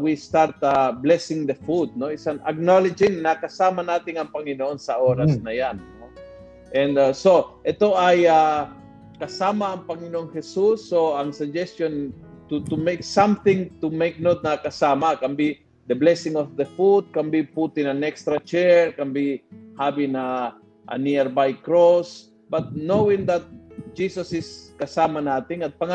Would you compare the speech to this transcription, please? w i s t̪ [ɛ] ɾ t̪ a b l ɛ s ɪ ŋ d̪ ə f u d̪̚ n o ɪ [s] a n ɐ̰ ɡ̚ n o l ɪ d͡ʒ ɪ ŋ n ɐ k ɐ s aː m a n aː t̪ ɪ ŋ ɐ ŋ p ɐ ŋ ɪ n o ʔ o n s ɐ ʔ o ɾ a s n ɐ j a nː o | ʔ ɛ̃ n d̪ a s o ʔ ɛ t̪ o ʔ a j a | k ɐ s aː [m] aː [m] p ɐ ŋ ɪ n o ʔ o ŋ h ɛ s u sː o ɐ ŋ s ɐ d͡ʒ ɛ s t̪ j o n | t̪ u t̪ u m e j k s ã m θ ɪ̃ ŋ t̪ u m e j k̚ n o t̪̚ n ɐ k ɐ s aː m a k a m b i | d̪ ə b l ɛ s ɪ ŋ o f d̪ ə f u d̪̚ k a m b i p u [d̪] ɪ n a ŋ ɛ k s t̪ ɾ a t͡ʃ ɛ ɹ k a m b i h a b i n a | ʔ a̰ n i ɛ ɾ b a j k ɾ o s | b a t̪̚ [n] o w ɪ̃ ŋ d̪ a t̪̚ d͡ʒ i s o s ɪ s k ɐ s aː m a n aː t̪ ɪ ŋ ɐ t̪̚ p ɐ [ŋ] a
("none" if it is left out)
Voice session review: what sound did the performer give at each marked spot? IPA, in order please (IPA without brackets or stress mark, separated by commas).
a, s, m, ŋ, t̪, n, ŋ